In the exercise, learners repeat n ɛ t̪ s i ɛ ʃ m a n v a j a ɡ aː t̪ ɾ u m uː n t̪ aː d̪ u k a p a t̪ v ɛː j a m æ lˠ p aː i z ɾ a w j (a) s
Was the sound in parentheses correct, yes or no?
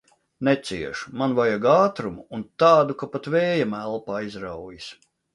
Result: no